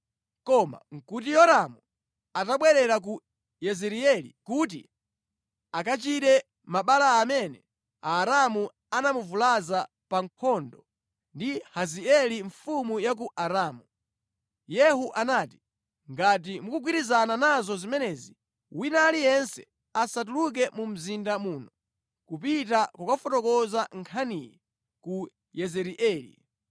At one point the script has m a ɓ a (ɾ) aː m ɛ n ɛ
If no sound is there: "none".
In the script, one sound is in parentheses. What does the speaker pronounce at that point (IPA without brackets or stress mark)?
l